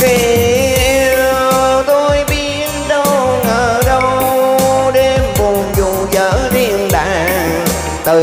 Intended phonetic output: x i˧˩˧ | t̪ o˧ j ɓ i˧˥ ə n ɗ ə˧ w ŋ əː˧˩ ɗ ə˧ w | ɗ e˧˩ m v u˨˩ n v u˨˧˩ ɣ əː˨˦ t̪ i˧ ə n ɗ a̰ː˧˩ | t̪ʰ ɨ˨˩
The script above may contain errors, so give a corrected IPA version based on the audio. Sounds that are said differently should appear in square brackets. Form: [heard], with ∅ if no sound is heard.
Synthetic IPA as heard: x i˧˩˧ | t̪ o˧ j ɓ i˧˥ ə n ɗ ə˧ w ŋ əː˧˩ ɗ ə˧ w | ɗ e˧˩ m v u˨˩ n [z] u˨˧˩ [z] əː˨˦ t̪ i˧ ə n ɗ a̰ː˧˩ | [t̪] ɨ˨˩

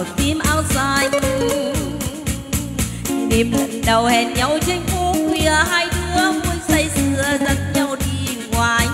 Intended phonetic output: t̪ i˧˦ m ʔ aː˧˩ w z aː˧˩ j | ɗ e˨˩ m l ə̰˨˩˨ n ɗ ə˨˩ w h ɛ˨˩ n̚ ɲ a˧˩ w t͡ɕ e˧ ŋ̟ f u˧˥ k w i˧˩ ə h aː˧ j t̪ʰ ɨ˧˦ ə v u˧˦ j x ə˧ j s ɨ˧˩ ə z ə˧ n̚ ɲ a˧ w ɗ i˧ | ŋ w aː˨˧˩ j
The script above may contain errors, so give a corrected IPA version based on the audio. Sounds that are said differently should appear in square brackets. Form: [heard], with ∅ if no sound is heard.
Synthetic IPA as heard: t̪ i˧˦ m ʔ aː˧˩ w z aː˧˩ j | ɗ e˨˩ m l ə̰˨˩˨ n ɗ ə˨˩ w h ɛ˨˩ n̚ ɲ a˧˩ w t͡ɕ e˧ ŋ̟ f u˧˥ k w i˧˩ ə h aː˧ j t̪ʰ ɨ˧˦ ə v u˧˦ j [s] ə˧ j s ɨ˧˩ ə z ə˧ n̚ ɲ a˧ w ɗ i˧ | ŋ w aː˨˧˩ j

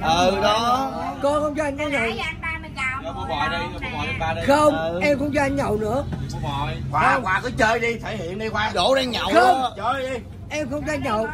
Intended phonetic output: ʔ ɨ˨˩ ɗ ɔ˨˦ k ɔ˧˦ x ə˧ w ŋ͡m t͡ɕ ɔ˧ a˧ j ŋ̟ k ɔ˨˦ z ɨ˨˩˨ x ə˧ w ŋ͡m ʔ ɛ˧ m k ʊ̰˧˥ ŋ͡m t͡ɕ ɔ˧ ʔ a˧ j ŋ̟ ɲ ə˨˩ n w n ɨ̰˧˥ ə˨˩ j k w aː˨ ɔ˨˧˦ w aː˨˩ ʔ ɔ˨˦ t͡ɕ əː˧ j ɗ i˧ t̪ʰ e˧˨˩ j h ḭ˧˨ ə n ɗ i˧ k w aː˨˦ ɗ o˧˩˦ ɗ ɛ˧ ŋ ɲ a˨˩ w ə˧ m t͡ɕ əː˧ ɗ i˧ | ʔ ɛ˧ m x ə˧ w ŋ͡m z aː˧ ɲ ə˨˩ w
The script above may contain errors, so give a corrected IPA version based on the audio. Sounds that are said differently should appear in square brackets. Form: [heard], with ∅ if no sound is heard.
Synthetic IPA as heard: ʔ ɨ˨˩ ɗ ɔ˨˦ k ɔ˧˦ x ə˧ w ŋ͡m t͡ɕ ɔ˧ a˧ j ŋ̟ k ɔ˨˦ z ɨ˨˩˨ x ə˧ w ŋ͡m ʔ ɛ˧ m k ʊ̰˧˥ ŋ͡m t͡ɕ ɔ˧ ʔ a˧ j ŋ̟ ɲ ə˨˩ [∅] w n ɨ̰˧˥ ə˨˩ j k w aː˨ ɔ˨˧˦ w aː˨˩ [k] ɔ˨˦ t͡ɕ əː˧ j ɗ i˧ t̪ʰ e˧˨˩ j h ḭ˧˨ ə n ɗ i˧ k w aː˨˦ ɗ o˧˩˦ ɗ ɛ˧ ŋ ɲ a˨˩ w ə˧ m t͡ɕ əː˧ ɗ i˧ | ʔ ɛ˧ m x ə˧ w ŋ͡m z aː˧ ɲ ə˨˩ w

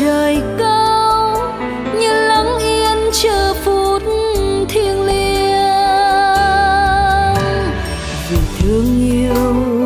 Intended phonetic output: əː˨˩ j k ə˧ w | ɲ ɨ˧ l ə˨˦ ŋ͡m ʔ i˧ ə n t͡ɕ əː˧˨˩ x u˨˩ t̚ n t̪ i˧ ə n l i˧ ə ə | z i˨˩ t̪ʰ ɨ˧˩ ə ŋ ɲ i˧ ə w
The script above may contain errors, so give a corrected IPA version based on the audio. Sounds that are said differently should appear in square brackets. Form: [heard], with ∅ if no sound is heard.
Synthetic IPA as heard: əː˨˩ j k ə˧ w | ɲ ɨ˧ l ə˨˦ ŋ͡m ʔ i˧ ə n t͡ɕ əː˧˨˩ [f] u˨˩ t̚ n [t̪ʰ] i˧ ə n l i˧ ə ə | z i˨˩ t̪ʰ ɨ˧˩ ə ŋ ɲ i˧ ə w

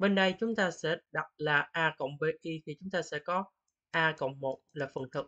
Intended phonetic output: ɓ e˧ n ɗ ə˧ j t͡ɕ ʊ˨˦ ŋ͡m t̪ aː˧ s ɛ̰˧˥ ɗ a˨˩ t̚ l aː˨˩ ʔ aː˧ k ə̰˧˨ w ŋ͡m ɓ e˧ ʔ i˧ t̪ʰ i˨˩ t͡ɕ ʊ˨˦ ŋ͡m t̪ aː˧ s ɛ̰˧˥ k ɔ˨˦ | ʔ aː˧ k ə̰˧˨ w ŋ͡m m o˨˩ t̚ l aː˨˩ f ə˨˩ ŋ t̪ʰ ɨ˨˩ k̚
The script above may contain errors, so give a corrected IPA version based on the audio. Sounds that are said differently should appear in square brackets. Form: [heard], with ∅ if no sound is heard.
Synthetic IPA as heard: ɓ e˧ n ɗ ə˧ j t͡ɕ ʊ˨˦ ŋ͡m t̪ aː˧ s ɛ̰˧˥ ɗ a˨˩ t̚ l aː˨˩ ʔ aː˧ k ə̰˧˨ w ŋ͡m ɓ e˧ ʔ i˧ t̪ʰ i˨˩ t͡ɕ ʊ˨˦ ŋ͡m t̪ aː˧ s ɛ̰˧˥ k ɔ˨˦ | ʔ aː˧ k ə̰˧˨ w ŋ͡m m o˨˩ t̚ l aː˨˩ f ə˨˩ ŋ t̪ʰ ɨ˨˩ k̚

